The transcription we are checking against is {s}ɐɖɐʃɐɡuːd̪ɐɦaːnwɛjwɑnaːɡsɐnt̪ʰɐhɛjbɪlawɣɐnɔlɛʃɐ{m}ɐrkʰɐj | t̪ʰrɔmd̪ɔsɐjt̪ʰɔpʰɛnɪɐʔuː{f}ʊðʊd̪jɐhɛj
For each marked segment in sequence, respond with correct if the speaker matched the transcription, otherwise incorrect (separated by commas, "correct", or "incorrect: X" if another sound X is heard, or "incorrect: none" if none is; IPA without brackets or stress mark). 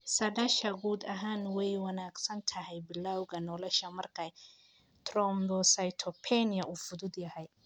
correct, correct, correct